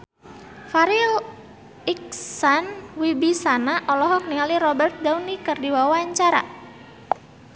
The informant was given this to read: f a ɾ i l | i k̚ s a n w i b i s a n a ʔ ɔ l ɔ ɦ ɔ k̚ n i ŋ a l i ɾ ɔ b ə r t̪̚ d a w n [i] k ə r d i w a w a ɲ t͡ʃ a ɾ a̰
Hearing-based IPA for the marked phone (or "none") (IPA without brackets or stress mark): i